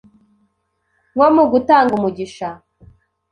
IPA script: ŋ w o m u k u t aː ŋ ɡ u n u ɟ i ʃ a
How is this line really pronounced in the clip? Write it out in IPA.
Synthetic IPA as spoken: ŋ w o m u ɡ u t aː ŋ ɡ u m u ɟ i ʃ a